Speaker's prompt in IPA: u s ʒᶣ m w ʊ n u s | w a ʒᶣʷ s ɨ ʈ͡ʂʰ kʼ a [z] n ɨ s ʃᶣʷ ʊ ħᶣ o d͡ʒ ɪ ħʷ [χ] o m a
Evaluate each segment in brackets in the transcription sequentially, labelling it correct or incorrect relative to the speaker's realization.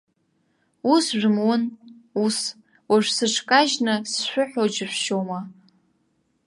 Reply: incorrect: ʒ, incorrect: ʃ

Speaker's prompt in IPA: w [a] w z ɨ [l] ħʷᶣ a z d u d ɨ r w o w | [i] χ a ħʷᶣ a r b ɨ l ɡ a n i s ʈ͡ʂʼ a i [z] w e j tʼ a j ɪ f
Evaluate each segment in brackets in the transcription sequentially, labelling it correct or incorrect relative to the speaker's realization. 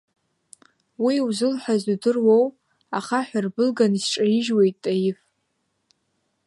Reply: incorrect: i, correct, incorrect: a, incorrect: ʒ

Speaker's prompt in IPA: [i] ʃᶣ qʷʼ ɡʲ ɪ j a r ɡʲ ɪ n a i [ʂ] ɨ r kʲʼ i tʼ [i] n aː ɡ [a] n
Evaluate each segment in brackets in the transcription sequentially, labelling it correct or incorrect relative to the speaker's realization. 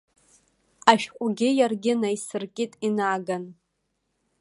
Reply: incorrect: a, incorrect: s, correct, correct

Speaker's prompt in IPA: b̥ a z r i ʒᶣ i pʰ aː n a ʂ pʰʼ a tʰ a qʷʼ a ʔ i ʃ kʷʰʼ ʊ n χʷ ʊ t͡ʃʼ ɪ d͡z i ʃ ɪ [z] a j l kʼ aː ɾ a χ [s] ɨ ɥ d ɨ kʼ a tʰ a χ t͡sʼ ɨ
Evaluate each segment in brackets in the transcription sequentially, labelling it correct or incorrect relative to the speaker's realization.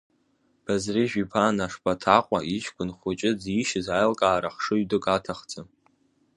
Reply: correct, incorrect: ʂ

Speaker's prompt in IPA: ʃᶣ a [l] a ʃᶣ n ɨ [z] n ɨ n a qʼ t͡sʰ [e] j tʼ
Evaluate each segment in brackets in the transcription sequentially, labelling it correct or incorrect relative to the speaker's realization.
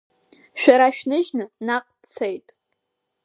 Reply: incorrect: ɾ, incorrect: ʒ, correct

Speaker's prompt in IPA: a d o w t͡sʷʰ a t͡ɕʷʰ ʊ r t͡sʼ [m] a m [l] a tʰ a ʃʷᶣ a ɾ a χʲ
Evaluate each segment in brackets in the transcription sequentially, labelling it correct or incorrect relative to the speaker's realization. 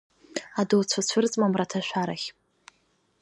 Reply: correct, incorrect: r

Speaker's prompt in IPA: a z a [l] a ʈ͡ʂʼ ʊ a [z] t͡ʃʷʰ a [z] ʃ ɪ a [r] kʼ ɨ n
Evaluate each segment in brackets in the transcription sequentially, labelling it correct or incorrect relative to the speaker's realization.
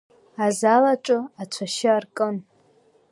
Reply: correct, incorrect: none, incorrect: none, correct

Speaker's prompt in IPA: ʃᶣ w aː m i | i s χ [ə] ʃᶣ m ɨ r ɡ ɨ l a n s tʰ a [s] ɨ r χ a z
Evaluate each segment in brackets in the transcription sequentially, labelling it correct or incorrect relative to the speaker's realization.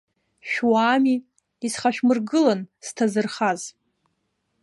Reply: incorrect: a, incorrect: z

